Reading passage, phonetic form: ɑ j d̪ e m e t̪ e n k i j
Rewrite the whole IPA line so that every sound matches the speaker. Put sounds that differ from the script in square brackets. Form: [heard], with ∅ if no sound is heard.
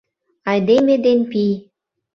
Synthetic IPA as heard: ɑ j d̪ e m e [d̪] e n [p] i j